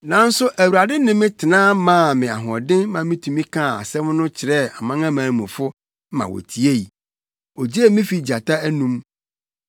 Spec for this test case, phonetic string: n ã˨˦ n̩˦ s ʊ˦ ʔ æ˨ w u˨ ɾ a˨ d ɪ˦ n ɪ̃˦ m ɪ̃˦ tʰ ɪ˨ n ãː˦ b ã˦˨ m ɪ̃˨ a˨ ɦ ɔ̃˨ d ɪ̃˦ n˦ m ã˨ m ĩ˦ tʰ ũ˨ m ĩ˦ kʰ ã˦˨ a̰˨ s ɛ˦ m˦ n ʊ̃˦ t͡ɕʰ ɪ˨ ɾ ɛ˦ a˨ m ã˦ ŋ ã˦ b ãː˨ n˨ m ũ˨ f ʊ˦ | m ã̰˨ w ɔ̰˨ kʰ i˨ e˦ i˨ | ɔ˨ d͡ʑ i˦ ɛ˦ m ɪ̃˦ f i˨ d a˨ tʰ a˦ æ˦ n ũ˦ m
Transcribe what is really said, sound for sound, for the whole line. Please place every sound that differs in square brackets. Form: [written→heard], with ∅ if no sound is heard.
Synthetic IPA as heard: n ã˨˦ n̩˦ s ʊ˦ ʔ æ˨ w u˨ ɾ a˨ d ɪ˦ n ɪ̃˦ m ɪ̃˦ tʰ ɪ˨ n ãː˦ [b→m] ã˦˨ m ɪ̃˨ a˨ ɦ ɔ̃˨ d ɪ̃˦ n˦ m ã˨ m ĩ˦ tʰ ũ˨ m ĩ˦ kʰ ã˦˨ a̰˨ s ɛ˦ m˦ n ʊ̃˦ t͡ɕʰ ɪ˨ ɾ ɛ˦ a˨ m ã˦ ŋ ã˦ [b→m] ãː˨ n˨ m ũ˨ f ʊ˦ | m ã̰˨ w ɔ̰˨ [kʰ→tʰ] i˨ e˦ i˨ | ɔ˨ d͡ʑ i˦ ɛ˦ m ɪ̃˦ f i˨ [d→d͡ʑ] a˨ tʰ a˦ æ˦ n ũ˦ m

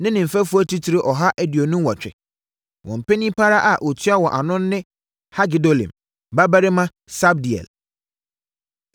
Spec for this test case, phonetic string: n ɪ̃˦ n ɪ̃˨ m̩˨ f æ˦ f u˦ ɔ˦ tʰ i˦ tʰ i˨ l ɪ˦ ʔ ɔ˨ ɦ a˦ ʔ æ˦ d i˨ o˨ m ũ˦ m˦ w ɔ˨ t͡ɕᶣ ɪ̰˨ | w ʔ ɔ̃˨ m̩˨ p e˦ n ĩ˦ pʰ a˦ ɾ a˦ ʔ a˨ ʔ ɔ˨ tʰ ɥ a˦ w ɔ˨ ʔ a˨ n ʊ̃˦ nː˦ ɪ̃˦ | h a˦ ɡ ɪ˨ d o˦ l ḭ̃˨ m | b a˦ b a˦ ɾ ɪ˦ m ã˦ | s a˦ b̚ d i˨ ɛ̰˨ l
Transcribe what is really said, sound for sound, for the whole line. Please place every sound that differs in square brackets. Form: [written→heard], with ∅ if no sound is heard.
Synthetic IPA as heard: n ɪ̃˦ n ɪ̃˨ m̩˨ f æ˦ f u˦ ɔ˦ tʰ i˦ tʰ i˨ [l→ɾ] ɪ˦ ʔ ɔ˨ ɦ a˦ ʔ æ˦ d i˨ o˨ [m→n] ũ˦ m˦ w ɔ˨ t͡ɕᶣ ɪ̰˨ | w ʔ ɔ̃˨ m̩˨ p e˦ n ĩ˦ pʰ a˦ ɾ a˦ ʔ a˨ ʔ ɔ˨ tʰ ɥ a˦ w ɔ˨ ʔ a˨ n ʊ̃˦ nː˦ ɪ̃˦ | h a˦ ɡ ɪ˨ d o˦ l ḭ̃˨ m | b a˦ b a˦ ɾ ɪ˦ m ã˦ | s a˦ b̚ d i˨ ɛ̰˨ l

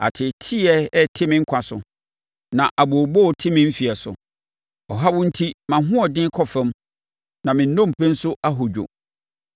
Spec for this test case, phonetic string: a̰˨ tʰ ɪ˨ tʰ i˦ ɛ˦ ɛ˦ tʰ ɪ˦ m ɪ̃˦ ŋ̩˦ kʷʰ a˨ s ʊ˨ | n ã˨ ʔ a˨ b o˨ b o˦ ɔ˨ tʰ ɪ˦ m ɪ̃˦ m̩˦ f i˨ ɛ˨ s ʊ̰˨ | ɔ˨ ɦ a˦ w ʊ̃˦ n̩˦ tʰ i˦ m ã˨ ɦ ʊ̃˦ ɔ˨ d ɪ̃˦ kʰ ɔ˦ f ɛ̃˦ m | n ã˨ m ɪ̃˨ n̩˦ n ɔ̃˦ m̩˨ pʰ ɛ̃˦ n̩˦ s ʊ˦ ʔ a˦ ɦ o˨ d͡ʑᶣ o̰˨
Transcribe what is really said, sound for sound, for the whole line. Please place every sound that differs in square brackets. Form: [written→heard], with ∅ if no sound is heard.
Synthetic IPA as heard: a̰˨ tʰ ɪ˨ tʰ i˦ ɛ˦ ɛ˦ tʰ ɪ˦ m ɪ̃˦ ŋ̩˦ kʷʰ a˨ s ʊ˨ | n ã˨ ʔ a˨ b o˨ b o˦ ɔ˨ tʰ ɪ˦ m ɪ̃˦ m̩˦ f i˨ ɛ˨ s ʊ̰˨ | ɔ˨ ɦ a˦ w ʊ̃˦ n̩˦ tʰ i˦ m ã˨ ɦ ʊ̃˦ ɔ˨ d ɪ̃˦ kʰ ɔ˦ f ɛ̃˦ m | n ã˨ m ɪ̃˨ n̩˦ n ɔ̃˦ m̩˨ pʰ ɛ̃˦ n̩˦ s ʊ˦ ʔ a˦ ɦ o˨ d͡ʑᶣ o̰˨

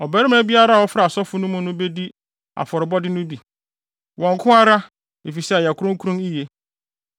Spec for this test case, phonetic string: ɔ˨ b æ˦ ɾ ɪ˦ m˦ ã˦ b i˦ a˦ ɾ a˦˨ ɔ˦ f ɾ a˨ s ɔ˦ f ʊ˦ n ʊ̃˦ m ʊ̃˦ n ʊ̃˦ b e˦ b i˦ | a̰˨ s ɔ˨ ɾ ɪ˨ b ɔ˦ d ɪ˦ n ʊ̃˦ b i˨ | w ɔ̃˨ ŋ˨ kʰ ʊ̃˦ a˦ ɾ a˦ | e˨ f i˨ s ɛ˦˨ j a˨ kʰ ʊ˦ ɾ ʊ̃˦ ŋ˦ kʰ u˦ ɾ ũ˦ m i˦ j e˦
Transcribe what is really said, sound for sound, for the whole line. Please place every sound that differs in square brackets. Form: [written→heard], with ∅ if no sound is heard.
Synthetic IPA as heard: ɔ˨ b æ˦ ɾ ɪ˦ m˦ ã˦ b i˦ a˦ ɾ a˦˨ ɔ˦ f ɾ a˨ s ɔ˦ f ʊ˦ n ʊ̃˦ m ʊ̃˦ n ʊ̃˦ b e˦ [b→d] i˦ | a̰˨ [s→f] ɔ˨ ɾ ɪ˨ b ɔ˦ d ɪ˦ n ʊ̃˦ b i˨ | w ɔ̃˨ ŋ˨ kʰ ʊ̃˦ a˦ ɾ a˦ | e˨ f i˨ s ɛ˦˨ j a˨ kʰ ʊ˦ ɾ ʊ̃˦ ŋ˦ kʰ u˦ ɾ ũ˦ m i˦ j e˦

